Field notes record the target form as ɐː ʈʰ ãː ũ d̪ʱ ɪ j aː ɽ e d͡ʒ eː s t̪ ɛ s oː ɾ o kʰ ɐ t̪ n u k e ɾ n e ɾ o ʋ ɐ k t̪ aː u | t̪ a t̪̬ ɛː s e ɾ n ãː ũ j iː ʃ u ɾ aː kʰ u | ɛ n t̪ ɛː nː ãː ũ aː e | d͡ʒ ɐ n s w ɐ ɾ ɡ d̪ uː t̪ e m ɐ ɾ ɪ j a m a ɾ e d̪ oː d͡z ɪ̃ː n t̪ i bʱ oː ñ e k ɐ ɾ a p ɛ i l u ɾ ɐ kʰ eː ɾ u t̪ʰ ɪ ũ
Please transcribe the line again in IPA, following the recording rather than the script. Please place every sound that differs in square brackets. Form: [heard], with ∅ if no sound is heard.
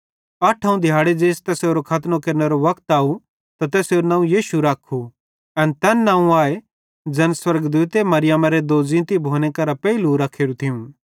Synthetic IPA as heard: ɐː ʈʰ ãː ũ d̪ʱ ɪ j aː ɽ e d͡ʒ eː s t̪ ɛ s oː ɾ o kʰ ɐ t̪ n [o] k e ɾ n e ɾ o ʋ ɐ k t̪ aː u | t̪ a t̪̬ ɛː s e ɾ n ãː ũ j iː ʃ u ɾ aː kʰ u | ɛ n t̪ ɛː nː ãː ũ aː e | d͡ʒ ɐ n s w ɐ ɾ ɡ d̪ uː t̪ e m ɐ ɾ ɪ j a m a ɾ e d̪ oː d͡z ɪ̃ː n t̪ i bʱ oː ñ e k ɐ ɾ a p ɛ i l u ɾ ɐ kʰ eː ɾ u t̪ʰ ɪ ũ